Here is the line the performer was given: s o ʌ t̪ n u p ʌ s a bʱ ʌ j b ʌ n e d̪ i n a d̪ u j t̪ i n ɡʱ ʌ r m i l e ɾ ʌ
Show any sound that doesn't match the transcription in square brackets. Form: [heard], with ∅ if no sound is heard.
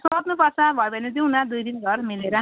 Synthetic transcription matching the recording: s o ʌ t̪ n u p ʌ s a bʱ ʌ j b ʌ n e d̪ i n a d̪ u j [d̪] i n ɡʱ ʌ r m i l e ɾ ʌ